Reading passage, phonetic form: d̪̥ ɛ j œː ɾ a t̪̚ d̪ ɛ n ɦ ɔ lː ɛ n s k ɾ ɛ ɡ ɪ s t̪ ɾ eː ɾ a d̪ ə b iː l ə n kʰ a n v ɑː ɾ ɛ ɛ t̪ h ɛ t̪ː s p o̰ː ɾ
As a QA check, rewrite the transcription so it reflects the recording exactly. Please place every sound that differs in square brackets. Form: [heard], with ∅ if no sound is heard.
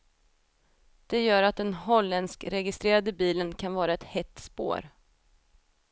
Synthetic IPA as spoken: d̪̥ ɛ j œː ɾ a t̪̚ d̪ ɛ n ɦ ɔ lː ɛ n s k ɾ ɛ ɡ ɪ s t̪ ɾ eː ɾ a d̪ ə b iː l ə n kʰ a n v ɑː ɾ [a] ɛ t̪ h ɛ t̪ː s p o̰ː ɾ